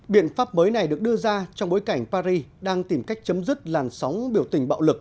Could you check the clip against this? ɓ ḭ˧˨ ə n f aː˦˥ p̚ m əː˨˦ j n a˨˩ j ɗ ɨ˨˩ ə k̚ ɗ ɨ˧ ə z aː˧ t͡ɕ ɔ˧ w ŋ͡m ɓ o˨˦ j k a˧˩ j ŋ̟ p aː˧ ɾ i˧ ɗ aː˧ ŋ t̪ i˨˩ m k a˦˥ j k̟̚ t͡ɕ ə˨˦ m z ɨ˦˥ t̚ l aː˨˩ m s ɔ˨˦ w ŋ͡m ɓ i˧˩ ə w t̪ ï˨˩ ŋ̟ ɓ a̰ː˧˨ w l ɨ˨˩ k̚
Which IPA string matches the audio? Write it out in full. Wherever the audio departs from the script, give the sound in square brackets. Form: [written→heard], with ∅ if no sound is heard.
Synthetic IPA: ɓ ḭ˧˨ ə n f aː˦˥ p̚ m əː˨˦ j n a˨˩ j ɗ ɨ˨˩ ə k̚ ɗ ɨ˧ ə z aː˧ t͡ɕ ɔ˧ w ŋ͡m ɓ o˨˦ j k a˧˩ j ŋ̟ p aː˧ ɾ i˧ ɗ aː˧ ŋ t̪ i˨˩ m k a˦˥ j k̟̚ t͡ɕ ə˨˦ m z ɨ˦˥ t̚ l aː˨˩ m s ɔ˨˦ w ŋ͡m ɓ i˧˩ ə w t̪ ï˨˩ ŋ̟ ɓ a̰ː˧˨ w l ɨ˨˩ k̚